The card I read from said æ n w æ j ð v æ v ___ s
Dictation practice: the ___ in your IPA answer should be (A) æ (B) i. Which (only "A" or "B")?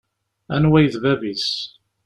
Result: B